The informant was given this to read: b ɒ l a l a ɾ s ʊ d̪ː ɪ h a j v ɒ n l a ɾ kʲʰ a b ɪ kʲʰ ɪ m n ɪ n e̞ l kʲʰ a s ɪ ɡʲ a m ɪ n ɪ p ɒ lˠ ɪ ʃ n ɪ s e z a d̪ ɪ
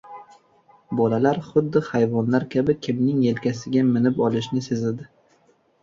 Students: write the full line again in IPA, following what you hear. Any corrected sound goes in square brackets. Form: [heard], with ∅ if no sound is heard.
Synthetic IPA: b ɒ l a l a ɾ [χ] ʊ d̪ː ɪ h a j v ɒ n l a ɾ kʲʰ a b ɪ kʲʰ ɪ m n ɪ [ŋ] e̞ l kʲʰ a s ɪ ɡʲ a m ɪ n ɪ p ɒ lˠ ɪ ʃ n ɪ s e z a d̪ ɪ

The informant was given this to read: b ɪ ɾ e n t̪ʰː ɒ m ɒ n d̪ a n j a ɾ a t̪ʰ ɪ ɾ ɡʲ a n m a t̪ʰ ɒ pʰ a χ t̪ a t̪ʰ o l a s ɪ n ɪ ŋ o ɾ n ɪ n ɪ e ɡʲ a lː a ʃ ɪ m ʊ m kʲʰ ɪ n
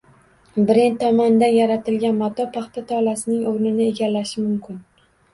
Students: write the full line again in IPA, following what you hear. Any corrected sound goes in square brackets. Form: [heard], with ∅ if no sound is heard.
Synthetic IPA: b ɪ ɾ e n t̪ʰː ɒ m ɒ n d̪ a n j a ɾ a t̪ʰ ɪ [l] ɡʲ a n m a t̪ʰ ɒ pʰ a χ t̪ a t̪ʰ [ɒ] l a s ɪ n ɪ ŋ o ɾ n ɪ n ɪ e ɡʲ a lː a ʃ ɪ m ʊ m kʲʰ ɪ n

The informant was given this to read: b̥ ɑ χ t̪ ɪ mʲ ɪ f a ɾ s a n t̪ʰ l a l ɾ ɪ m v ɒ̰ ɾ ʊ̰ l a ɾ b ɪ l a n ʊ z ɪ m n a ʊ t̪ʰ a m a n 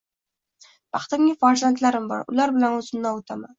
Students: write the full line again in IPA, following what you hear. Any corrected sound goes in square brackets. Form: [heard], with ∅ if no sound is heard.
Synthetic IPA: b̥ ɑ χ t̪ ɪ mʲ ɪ f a ɾ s a n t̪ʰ l a [∅] ɾ ɪ m [b] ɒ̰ ɾ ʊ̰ l a ɾ b ɪ l a n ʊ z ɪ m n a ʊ t̪ʰ a m a n

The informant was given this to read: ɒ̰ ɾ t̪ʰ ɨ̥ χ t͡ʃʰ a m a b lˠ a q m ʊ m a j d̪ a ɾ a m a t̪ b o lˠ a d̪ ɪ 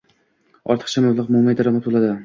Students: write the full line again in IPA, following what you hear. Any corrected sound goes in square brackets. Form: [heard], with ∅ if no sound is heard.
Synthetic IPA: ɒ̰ ɾ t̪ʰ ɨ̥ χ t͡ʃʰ a m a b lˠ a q m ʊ m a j d̪ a ɾ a m a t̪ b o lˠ a d̪ ɪ

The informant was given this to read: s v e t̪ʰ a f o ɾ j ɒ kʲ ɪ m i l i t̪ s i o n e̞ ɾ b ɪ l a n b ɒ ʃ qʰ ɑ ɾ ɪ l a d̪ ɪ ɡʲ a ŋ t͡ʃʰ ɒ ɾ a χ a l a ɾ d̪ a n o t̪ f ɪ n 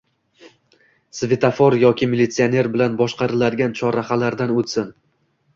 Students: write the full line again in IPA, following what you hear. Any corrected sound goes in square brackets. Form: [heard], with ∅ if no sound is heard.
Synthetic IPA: s v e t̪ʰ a f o ɾ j ɒ kʲ ɪ m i l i t̪ s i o n e̞ ɾ b ɪ l a n b ɒ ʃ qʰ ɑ ɾ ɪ l a d̪ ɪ ɡʲ a [n] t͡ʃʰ ɒ ɾ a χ a l a ɾ d̪ a n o t̪ [s] ɪ n

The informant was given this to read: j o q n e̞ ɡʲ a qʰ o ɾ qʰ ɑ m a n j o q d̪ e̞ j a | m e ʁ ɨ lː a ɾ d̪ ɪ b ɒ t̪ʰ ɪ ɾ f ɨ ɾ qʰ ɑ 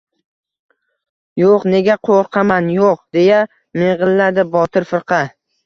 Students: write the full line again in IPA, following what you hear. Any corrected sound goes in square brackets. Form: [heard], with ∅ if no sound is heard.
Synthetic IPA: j o q n e̞ ɡʲ a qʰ o ɾ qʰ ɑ m a n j o q d̪ e̞ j a | m e ʁ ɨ lː a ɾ d̪ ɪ b ɒ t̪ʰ ɪ ɾ f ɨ ɾ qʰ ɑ

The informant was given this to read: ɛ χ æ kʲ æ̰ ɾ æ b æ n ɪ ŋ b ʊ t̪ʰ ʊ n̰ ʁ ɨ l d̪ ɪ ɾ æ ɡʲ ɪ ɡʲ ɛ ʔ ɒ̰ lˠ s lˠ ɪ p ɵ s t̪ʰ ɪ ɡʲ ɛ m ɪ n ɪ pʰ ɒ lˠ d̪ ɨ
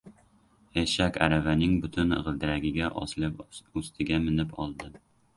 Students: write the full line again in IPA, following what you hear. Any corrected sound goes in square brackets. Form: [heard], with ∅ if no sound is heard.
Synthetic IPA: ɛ [ʃ] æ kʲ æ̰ ɾ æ [v] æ n ɪ ŋ b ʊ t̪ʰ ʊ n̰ ʁ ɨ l d̪ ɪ ɾ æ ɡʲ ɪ ɡʲ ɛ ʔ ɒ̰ [∅] s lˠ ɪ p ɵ s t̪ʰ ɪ ɡʲ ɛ m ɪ n ɪ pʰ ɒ lˠ d̪ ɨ

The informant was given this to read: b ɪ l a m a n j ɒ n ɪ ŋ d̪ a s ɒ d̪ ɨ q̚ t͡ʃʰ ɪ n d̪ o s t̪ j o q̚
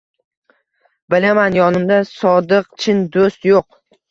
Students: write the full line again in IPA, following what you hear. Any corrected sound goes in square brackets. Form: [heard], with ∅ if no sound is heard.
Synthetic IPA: b ɪ l a m a n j ɒ n ɪ [m] d̪ a s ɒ d̪ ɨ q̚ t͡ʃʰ ɪ n d̪ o s t̪ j o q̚

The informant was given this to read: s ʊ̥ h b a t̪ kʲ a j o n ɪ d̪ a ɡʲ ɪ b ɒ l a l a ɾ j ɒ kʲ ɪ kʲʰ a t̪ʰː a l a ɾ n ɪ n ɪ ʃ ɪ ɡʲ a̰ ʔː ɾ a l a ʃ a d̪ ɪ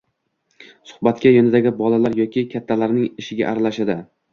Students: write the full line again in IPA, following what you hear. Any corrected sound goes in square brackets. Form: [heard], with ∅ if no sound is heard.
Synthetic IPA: s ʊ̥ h b a t̪ kʲ a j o n ɪ d̪ a ɡʲ ɪ b ɒ l a l a ɾ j ɒ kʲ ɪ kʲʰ a t̪ʰː a l a ɾ n ɪ [ŋ] ɪ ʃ ɪ ɡʲ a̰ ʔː ɾ a l a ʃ a d̪ ɪ

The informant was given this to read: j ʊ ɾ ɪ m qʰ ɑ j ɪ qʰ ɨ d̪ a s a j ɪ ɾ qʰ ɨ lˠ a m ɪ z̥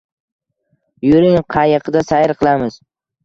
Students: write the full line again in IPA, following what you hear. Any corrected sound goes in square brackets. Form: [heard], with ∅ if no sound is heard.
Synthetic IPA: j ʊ ɾ ɪ [ŋ] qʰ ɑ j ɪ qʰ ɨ d̪ a s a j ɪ ɾ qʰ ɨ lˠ a m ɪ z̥

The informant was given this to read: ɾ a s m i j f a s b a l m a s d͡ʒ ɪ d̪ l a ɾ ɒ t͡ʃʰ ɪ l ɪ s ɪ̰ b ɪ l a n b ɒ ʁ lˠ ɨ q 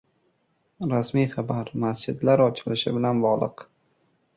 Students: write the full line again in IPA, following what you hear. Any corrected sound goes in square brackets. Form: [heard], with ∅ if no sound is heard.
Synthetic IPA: ɾ a s m i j [χ] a [∅] b a [ɾ] m a s d͡ʒ ɪ d̪ l a ɾ ɒ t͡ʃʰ ɪ l ɪ [ʃ] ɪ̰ b ɪ l a n b ɒ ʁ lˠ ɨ q

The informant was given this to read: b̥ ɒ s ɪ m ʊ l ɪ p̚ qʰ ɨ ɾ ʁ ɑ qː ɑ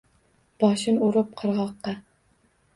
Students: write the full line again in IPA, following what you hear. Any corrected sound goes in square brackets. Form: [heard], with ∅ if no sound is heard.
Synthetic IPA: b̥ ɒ [ʃ] ɪ [n] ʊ [ɾ] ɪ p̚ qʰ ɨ ɾ ʁ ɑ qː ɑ

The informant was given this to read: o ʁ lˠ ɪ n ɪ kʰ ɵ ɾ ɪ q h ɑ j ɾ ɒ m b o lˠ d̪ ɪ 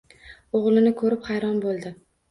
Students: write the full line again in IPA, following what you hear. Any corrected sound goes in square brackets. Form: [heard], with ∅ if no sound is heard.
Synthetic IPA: o ʁ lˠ ɪ n ɪ kʰ ɵ ɾ ɪ [p] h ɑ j ɾ ɒ [n] b o lˠ d̪ ɪ

